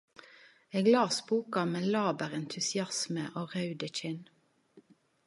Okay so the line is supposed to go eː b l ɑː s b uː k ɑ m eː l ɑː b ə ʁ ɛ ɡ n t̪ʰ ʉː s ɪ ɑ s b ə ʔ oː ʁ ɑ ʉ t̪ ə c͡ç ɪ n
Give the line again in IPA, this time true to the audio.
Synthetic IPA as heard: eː ɡ l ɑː s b uː k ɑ m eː l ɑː b ə ʁ ɛ n t̪ʰ ʉ s ɪ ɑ s m ə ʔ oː ʁ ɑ ʉ d̪ ə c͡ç ɪ n